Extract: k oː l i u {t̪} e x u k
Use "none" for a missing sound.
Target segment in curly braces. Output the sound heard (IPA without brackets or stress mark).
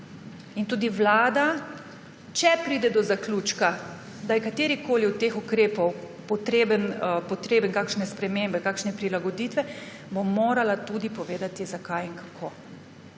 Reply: t̪